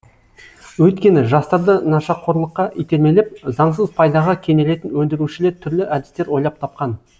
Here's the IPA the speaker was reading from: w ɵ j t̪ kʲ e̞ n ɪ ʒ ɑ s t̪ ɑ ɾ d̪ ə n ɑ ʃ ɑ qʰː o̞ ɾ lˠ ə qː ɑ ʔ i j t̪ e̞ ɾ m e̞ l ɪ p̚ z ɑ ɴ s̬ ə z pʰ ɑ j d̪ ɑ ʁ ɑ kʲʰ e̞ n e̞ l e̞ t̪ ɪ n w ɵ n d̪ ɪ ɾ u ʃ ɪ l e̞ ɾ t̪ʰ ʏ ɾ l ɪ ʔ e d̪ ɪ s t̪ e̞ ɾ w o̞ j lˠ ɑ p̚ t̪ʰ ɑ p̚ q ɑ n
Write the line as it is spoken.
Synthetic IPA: w ɵ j t̪ kʲ e̞ n ɪ ʒ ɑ s t̪ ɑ ɾ d̪ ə n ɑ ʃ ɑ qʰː o̞ ɾ lˠ ə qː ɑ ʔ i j t̪ e̞ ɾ m e̞ l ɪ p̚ z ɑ ɴ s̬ ə z pʰ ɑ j d̪ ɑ ʁ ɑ kʲʰ e̞ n e̞ l e̞ t̪ ɪ n w ɵ n d̪ ɪ ɾ u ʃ ɪ l e̞ ɾ t̪ʰ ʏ ɾ l ɪ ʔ æ d̪ ɪ s t̪ e̞ ɾ w o̞ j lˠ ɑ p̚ t̪ʰ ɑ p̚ q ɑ n